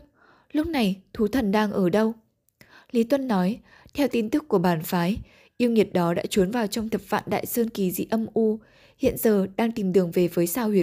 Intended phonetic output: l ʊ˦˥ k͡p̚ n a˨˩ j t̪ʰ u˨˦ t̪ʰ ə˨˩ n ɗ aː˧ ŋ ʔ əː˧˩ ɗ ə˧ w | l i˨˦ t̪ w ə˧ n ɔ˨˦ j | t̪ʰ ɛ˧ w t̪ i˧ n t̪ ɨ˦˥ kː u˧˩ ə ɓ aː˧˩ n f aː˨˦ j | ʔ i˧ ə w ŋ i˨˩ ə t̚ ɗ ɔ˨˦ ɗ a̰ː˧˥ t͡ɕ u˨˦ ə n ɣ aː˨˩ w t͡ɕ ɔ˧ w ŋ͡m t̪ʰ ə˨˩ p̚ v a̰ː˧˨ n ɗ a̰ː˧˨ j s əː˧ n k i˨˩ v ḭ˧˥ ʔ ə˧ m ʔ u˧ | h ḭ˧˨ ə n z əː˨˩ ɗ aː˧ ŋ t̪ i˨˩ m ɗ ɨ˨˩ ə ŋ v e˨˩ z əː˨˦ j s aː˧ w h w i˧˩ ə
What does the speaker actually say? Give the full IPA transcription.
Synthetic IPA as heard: l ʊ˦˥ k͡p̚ n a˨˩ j t̪ʰ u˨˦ t̪ʰ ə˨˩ n ɗ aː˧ ŋ ʔ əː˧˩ ɗ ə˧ w | l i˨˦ t̪ w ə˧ nː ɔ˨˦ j | t̪ʰ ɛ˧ w t̪ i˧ n t̪ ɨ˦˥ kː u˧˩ ə ɓ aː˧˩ n f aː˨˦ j | ʔ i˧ ə w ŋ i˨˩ ə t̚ ɗ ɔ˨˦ ɗ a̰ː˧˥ t͡ɕ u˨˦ ə n v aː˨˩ w t͡ɕ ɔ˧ w ŋ͡m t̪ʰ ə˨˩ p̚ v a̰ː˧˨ n ɗ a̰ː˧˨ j s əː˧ n k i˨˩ z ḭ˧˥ ʔ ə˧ m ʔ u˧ | h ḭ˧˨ ə n z əː˨˩ ɗ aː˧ ŋ t̪ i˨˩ m ɗ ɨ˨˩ ə ŋ v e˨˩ v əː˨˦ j s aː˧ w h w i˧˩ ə